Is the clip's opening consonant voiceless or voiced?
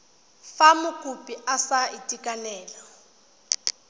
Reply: voiceless